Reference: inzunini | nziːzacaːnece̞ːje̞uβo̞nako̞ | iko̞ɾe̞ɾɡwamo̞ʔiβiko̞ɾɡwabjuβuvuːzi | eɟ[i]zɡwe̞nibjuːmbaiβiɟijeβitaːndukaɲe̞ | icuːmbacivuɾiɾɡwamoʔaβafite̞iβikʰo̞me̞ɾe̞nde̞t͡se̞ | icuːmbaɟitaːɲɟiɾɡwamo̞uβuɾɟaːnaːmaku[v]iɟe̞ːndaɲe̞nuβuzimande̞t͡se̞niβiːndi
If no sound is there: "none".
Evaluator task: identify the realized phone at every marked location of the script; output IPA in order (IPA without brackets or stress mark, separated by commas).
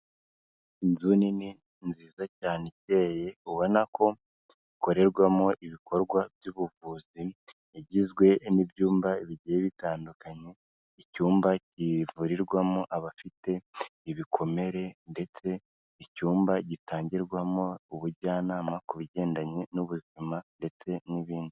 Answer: i, β